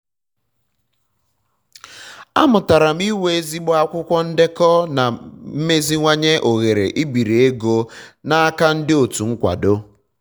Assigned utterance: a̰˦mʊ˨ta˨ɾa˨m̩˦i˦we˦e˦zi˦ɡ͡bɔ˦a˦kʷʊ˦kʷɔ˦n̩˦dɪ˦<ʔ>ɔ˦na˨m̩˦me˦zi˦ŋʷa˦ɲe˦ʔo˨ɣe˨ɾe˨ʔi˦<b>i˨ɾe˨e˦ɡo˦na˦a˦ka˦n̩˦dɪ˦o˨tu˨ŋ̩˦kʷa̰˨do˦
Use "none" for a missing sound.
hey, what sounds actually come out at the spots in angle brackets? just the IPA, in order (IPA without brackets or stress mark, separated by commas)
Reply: k, b